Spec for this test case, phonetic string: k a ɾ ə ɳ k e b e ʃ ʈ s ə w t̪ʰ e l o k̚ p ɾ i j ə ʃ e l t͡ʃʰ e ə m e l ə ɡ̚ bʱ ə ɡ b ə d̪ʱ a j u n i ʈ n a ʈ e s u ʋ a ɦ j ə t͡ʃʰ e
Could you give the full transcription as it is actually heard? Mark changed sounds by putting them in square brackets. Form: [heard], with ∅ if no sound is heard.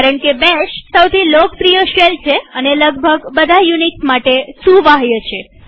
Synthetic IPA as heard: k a ɾ ə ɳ k e b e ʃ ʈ s ə w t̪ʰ [i] l o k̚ p ɾ i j ə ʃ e l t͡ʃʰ e ə [n] e l ə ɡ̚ bʱ ə ɡ b ə d̪ʱ a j u n i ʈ [m] a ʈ e s u ʋ a ɦ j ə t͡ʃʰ e